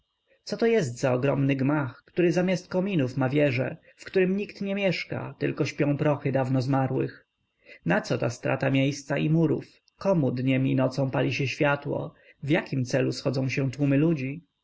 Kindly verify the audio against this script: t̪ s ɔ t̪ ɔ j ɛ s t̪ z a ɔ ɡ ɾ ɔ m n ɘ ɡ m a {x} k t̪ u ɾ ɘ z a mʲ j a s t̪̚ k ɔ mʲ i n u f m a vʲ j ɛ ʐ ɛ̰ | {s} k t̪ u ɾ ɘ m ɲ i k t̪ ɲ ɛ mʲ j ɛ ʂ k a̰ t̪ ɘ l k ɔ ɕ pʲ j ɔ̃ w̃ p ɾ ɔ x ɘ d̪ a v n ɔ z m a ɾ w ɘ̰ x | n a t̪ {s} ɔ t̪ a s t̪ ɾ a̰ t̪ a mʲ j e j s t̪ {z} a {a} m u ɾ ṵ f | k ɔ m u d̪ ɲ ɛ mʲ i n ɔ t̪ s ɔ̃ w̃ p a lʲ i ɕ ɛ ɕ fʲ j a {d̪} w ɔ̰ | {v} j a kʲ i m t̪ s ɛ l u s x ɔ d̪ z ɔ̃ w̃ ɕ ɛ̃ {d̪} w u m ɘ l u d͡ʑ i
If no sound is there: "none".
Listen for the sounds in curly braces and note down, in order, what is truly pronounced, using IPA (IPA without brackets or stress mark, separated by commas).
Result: x, f, s, s, i, t̪, v, t̪